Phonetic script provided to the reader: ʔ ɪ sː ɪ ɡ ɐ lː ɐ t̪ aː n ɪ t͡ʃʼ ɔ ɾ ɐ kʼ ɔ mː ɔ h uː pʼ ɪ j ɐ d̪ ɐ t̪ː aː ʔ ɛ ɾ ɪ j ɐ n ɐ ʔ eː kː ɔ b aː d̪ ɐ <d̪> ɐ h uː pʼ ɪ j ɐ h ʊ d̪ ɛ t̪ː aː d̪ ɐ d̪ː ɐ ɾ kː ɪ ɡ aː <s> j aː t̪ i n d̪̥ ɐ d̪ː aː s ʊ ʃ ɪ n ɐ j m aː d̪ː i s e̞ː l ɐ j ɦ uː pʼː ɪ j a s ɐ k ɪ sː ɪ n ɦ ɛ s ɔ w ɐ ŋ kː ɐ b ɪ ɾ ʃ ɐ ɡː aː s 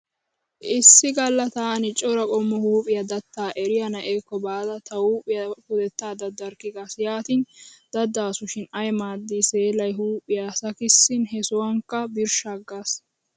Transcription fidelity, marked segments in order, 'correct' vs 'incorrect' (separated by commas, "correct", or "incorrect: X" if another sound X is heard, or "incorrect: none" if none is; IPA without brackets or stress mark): incorrect: t̪, correct